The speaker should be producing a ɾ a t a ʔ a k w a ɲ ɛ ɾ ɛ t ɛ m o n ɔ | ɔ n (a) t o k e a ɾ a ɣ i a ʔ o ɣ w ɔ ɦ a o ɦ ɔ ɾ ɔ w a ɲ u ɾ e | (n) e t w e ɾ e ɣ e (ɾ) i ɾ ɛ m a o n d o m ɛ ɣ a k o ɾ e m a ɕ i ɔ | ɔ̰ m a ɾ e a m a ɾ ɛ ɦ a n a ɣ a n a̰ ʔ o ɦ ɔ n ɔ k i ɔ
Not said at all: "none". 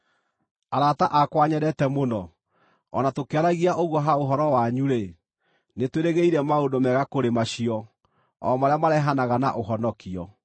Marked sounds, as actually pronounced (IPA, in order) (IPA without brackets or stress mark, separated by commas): a, n, none